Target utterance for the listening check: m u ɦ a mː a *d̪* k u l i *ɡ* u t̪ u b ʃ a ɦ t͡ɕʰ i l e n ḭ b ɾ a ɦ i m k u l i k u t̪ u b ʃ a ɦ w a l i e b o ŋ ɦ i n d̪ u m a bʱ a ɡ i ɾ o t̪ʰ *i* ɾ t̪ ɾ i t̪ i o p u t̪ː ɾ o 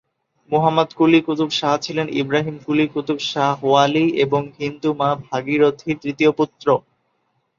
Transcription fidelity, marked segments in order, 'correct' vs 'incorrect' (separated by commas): correct, incorrect, correct